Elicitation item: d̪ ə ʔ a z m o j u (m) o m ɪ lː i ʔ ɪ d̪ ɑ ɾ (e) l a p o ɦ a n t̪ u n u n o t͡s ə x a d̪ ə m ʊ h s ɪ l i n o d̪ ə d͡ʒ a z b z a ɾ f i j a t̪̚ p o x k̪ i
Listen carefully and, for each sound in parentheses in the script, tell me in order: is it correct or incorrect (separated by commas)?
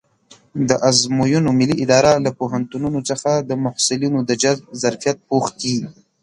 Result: incorrect, incorrect